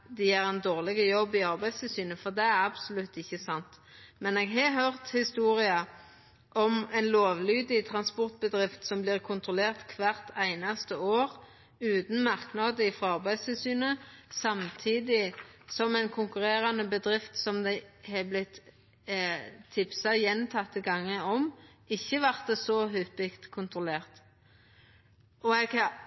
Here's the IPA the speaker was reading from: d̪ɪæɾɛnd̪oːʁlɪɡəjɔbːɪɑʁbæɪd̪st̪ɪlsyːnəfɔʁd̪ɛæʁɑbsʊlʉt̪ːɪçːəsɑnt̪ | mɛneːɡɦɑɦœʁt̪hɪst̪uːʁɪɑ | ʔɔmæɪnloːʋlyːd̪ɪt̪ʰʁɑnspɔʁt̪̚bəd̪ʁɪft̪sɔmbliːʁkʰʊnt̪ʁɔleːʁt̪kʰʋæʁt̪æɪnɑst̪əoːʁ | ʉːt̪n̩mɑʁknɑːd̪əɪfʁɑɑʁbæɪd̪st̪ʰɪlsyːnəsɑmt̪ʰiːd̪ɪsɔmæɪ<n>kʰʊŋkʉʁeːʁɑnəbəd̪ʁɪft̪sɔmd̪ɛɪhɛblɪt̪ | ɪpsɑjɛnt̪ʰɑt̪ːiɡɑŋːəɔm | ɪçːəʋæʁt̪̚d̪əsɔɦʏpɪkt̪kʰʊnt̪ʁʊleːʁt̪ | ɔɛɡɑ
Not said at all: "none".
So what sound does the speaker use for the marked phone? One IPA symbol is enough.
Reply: n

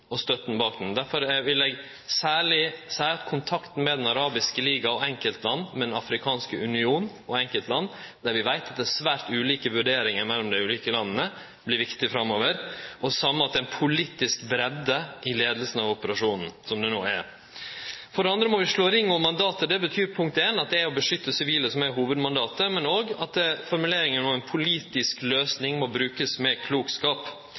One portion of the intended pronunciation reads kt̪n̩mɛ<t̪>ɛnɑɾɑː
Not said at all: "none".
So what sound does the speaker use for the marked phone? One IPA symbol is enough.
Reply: d̪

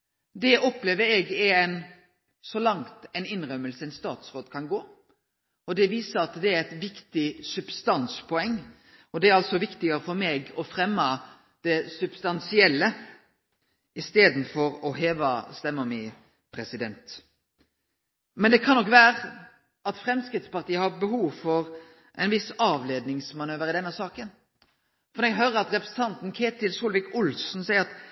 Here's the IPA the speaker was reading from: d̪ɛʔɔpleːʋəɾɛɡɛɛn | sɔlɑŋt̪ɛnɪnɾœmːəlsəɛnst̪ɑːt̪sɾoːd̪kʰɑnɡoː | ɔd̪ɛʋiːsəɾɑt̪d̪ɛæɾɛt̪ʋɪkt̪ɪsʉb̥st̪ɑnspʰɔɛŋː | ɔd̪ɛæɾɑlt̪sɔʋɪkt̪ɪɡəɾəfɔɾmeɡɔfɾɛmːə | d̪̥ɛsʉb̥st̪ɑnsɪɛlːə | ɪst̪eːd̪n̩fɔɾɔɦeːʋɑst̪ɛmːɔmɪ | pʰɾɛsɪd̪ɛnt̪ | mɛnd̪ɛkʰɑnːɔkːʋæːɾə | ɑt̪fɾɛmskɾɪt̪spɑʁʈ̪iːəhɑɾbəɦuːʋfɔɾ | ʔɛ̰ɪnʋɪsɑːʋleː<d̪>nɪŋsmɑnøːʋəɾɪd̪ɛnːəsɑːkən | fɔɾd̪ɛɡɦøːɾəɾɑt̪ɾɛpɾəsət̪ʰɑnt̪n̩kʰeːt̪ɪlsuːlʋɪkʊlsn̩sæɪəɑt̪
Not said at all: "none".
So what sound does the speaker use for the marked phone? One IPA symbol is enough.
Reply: d̪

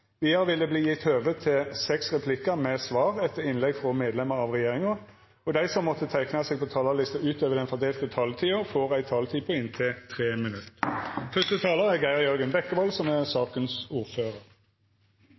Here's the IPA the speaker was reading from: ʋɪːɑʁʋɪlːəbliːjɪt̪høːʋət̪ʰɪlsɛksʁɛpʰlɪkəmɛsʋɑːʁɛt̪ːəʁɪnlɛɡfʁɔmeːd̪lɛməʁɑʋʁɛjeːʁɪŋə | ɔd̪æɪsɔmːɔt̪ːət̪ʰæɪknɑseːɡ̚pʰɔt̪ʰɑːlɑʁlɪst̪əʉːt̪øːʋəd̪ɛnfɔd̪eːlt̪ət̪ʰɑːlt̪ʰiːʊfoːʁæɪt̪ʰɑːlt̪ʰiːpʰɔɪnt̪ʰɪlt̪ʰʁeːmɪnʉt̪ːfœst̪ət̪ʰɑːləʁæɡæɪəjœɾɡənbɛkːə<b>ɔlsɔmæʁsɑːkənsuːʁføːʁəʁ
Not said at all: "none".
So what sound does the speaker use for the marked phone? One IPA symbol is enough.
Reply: b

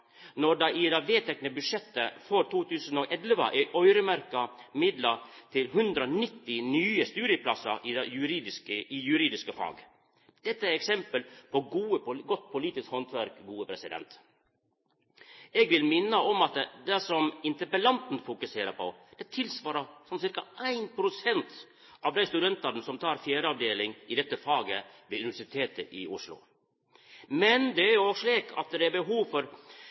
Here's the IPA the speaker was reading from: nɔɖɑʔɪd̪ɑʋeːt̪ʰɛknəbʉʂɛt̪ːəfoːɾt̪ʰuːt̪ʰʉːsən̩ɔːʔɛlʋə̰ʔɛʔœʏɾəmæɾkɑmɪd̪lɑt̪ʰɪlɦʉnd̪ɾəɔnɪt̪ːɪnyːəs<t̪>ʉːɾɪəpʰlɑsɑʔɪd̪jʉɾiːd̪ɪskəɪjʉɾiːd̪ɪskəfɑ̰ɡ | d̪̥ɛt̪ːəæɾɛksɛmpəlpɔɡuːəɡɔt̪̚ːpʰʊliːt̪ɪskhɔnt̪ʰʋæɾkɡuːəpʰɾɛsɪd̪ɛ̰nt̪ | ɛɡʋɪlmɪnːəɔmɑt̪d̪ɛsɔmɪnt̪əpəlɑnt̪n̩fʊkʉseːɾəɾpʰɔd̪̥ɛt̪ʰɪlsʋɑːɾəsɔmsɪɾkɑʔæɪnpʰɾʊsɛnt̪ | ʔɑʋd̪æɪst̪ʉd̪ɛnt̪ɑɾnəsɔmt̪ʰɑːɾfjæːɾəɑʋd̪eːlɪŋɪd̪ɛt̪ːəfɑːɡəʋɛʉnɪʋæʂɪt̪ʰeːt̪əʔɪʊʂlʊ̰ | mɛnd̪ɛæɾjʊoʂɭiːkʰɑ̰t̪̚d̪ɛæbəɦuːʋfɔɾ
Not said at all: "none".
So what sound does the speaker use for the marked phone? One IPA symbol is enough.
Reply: t̪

